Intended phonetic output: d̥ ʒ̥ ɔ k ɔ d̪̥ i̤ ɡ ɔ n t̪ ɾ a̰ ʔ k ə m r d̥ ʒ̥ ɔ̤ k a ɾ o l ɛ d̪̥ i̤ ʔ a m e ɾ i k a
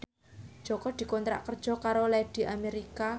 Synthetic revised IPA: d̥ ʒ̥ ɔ k ɔ d̪̥ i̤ k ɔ n t̪ ɾ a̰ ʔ k ə r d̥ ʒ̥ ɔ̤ k a ɾ o l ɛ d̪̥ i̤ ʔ a m e ɾ i k a